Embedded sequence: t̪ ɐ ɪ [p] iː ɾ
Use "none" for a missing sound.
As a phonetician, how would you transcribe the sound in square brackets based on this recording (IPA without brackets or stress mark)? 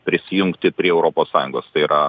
none